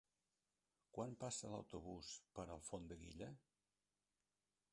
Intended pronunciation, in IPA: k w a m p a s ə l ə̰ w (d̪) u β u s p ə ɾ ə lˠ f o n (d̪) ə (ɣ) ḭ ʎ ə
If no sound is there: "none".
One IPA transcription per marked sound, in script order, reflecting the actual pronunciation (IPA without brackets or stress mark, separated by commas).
t̪, d̪, ɣ